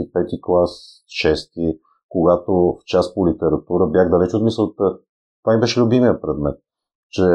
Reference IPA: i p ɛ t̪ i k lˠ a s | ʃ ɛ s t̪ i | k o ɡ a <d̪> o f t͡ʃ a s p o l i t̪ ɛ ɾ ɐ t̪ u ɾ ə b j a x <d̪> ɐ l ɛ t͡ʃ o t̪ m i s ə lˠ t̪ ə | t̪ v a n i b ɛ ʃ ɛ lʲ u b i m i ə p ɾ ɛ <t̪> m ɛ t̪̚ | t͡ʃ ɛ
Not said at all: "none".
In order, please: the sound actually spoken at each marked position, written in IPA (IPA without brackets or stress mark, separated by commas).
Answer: t̪, d̪, d̪